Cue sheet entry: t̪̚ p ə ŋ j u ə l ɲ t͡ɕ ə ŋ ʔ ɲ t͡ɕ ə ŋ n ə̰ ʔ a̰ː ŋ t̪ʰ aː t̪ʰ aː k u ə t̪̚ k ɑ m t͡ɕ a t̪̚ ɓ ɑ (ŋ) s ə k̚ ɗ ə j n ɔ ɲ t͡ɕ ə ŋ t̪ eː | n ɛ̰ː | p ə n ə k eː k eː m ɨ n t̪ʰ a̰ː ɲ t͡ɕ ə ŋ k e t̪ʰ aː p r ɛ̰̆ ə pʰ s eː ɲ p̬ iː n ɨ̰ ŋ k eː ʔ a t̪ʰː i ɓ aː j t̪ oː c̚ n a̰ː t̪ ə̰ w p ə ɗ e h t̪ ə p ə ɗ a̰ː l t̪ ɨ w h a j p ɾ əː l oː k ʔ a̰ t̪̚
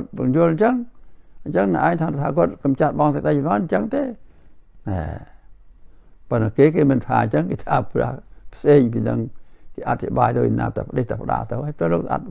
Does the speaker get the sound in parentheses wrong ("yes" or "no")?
no